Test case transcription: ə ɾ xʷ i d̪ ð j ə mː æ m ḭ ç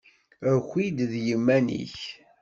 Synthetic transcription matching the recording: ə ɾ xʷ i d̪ ð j ə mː æ n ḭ ç